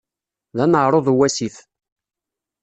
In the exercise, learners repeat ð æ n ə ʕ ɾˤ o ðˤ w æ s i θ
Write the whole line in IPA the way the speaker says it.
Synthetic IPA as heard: ð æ n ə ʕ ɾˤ o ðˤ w æ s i θ